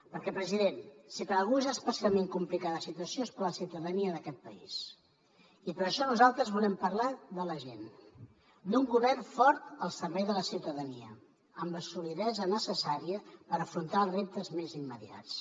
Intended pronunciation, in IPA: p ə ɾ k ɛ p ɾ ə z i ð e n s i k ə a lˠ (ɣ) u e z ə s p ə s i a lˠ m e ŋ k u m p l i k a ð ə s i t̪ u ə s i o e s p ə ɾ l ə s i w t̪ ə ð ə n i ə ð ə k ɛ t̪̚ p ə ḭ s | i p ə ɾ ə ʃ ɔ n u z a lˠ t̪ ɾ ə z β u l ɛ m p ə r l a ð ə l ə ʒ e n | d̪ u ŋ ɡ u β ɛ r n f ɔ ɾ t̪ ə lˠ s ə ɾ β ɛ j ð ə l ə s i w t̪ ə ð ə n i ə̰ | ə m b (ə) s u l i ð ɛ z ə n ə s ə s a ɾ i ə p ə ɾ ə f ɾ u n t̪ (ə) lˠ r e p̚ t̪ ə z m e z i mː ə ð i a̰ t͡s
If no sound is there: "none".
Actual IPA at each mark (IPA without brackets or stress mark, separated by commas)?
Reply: ɣ, ə, a